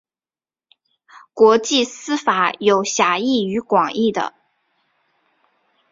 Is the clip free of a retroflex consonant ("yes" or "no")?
yes